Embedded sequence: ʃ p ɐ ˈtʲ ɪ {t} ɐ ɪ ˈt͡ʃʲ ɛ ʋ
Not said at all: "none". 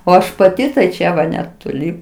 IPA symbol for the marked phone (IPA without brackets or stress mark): t